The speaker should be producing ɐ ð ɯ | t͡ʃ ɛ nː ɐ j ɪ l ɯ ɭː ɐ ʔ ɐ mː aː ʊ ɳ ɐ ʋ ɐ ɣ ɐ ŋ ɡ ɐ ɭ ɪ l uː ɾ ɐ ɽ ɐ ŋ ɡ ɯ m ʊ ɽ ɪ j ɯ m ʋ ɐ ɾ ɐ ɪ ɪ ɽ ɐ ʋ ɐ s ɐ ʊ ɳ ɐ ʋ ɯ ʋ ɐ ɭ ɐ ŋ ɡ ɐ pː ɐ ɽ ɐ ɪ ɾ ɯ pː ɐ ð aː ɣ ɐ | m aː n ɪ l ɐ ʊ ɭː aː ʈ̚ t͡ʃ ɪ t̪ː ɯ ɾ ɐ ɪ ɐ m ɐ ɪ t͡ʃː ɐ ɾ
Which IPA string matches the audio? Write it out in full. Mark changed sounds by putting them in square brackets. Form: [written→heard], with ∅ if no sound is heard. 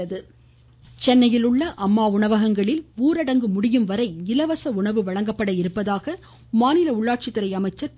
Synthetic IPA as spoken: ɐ ð ɯ | t͡ʃ ɛ nː ɐ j ɪ l ɯ ɭː ɐ ʔ ɐ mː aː ʊ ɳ ɐ ʋ ɐ ɣ ɐ ŋ ɡ ɐ ɭ ɪ l uː ɾ ɐ ɽ ɐ ŋ ɡ ɯ m ʊ ɽ ɪ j ɯ m ʋ ɐ ɾ ɐ ɪ ɪ [ɽ→l] ɐ ʋ ɐ s ɐ ʊ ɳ ɐ ʋ ɯ ʋ ɐ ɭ ɐ ŋ ɡ ɐ pː ɐ ɽ ɐ ɪ ɾ ɯ pː ɐ ð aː ɣ ɐ | m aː n ɪ l ɐ ʊ ɭː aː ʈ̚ t͡ʃ ɪ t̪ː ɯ ɾ ɐ ɪ ɐ m ɐ ɪ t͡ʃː ɐ ɾ

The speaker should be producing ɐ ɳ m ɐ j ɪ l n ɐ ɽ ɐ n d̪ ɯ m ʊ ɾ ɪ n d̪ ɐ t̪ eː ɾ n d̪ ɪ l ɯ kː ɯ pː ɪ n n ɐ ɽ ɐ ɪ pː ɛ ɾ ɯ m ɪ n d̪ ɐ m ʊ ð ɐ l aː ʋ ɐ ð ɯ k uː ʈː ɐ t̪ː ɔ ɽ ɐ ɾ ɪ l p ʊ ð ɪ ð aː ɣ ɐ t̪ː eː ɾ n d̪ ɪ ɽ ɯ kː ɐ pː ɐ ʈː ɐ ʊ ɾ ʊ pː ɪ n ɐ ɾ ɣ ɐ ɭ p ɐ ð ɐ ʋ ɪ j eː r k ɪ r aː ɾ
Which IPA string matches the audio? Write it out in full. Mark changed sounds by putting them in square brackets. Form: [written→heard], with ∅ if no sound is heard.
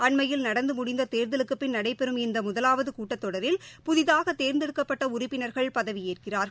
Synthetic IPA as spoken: ɐ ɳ m ɐ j ɪ l n ɐ ɽ ɐ n d̪ ɯ m ʊ [ɾ→ɽ] ɪ n d̪ ɐ t̪ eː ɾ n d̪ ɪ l ɯ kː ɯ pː ɪ n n ɐ ɽ ɐ ɪ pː ɛ ɾ ɯ m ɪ n d̪ ɐ m ʊ ð ɐ l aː ʋ ɐ ð ɯ k uː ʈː ɐ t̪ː ɔ ɽ ɐ ɾ ɪ l p ʊ ð ɪ ð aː ɣ ɐ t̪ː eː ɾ n d̪ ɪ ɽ ɯ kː ɐ pː ɐ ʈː ɐ ʊ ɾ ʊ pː ɪ n ɐ ɾ ɣ ɐ ɭ p ɐ ð ɐ ʋ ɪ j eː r k ɪ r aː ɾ

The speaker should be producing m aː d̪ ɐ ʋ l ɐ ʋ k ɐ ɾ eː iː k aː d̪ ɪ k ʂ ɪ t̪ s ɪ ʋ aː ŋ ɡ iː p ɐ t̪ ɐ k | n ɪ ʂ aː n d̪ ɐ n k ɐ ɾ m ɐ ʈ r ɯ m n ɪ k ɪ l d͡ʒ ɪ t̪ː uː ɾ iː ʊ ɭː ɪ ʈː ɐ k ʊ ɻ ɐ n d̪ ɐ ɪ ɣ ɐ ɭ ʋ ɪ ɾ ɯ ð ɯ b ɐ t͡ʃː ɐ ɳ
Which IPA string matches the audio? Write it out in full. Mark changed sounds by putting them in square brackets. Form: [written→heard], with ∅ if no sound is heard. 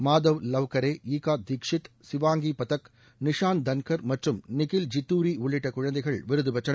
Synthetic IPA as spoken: m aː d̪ ɐ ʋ l ɐ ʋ k ɐ ɾ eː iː k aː d̪ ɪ k ʂ ɪ t̪ s ɪ ʋ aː ŋ ɡ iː p ɐ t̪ ɐ k | n ɪ ʂ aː n d̪ ɐ n k ɐ ɾ m ɐ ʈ r ɯ m n ɪ k ɪ l d͡ʒ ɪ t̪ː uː ɾ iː ʊ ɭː ɪ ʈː ɐ k ʊ ɻ ɐ n d̪ ɐ ɪ ɣ ɐ ɭ ʋ ɪ ɾ ɯ ð ɯ b ɐ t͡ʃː ɐ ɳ

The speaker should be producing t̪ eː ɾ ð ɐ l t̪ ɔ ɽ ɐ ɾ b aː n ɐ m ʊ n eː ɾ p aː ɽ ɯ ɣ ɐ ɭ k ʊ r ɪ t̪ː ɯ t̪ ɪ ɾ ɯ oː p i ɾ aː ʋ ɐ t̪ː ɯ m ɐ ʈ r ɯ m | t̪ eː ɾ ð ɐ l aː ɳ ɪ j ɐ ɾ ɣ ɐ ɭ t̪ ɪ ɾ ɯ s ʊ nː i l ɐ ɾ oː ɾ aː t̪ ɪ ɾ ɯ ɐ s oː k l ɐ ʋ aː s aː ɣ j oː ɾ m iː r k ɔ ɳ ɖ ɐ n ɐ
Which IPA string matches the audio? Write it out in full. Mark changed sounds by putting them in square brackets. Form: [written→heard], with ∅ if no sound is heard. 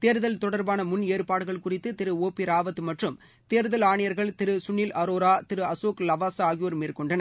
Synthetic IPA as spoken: t̪ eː ɾ ð ɐ l t̪ ɔ ɽ ɐ ɾ b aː n ɐ m ʊ n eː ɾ p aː ɽ ɯ ɣ ɐ ɭ k ʊ r ɪ t̪ː ɯ t̪ ɪ ɾ ɯ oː p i ɾ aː ʋ ɐ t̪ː ɯ m ɐ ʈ r ɯ m | t̪ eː ɾ ð ɐ l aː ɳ ɪ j ɐ ɾ ɣ ɐ ɭ t̪ ɪ ɾ ɯ s ʊ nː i l ɐ ɾ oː ɾ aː t̪ ɪ ɾ ɯ ɐ s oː k l ɐ ʋ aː s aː ɣ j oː ɾ m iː r k ɔ ɳ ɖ ɐ n ɐ

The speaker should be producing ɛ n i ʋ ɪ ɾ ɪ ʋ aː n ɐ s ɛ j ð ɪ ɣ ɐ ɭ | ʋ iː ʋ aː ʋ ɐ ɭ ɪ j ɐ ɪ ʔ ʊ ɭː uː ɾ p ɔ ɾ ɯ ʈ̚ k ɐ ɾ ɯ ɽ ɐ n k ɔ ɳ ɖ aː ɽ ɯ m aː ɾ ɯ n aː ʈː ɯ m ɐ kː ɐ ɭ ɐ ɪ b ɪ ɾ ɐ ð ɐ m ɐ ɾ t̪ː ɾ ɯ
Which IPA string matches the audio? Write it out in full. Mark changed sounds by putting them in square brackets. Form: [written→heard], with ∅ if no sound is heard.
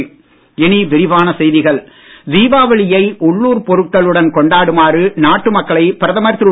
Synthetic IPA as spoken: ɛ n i ʋ ɪ ɾ ɪ ʋ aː n ɐ s ɛ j ð ɪ ɣ ɐ ɭ | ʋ iː ʋ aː ʋ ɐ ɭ ɪ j ɐ ɪ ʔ ʊ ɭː uː ɾ p ɔ ɾ ɯ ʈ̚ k ɐ [ɾ→ɭ] ɯ ɽ ɐ n k ɔ ɳ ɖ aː ɽ ɯ m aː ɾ ɯ n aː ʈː ɯ m ɐ kː ɐ ɭ ɐ ɪ [b→p] ɪ ɾ ɐ ð ɐ m ɐ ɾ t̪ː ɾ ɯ

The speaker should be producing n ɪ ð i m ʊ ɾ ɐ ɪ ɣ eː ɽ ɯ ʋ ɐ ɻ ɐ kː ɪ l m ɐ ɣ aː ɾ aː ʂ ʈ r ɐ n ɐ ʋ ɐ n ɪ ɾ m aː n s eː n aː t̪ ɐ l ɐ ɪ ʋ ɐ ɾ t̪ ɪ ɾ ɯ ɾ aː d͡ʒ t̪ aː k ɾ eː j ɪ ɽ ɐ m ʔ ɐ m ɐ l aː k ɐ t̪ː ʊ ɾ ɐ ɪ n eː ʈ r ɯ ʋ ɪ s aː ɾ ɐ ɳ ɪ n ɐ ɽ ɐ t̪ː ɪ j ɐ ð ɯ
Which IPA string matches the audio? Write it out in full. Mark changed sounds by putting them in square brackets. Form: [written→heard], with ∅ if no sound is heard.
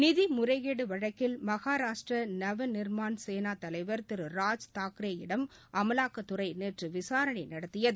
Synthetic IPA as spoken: n ɪ ð i m ʊ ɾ ɐ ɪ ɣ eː ɽ ɯ ʋ ɐ ɻ ɐ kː ɪ l m ɐ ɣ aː ɾ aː ʂ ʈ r ɐ n ɐ ʋ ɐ n ɪ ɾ m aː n s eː n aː t̪ ɐ l ɐ ɪ ʋ ɐ ɾ t̪ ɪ ɾ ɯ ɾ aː d͡ʒ t̪ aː k ɾ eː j ɪ ɽ ɐ m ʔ ɐ m ɐ l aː k ɐ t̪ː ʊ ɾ ɐ ɪ n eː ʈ r ɯ ʋ ɪ s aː ɾ ɐ ɳ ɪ n ɐ ɽ ɐ t̪ː ɪ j ɐ ð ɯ

